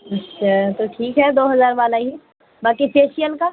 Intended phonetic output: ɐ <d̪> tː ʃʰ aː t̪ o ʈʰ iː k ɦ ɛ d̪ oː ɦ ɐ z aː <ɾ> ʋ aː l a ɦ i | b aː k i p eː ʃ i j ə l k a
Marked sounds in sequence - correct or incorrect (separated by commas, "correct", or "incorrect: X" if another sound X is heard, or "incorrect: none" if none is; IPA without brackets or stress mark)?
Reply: incorrect: none, correct